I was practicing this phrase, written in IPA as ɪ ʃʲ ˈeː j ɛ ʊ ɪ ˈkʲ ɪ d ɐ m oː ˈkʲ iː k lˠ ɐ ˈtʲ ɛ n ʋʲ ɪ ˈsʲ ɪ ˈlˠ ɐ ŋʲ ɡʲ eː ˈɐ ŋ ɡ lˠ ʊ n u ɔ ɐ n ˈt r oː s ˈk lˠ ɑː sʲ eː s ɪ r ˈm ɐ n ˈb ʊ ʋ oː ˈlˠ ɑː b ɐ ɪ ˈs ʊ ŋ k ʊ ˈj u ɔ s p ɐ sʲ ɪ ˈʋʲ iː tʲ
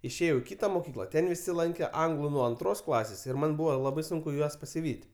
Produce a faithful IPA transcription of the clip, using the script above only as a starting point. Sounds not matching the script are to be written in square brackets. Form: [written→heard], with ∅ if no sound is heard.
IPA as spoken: ɪ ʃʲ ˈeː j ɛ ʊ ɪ ˈkʲ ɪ [d→t] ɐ m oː ˈkʲ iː k lˠ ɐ ˈtʲ ɛ n ʋʲ ɪ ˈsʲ ɪ ˈlˠ ɐ ŋʲ [ɡʲ→kʲ] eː ˈɐ ŋ ɡ lˠ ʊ n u ɔ ɐ n ˈt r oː s ˈk lˠ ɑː sʲ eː s ɪ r ˈm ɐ n ˈb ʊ ʋ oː ˈlˠ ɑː b ɐ ɪ ˈs ʊ ŋ k ʊ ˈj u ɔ s p ɐ sʲ ɪ ˈʋʲ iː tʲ